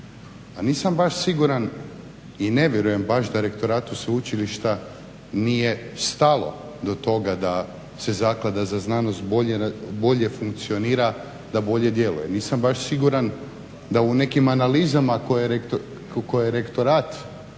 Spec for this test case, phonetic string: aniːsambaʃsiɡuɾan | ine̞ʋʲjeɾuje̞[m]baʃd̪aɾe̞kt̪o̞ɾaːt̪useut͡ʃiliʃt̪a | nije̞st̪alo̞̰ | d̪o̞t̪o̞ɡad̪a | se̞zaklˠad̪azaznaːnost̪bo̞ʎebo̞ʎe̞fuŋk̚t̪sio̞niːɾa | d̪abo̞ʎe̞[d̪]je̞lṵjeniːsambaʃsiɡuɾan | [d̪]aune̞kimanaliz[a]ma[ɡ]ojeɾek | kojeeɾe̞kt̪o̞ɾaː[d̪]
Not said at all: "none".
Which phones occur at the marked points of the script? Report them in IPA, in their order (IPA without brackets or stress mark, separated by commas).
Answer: m, d̪, d̪, a, k, t̪